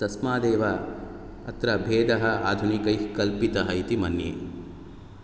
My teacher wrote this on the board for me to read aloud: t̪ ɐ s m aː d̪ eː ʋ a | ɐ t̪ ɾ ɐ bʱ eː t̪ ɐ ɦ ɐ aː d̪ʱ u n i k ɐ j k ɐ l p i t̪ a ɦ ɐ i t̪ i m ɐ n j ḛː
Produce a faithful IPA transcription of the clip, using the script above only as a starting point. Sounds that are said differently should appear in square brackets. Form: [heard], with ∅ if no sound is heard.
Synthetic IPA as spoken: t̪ ɐ s m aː d̪ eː ʋ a | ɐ t̪ ɾ ɐ bʱ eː [d̪] ɐ ɦ ɐ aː d̪ʱ u n i k ɐ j k ɐ l p i t̪ [ɐ] ɦ ɐ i t̪ i m ɐ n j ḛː